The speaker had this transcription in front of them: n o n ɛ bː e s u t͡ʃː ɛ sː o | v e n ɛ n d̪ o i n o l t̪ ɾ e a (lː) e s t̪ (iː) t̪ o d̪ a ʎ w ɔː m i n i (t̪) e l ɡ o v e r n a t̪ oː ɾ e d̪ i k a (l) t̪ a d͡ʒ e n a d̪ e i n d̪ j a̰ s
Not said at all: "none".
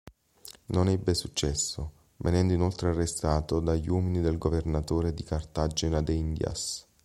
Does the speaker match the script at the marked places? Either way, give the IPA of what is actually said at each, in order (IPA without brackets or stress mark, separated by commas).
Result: rː, aː, d̪, r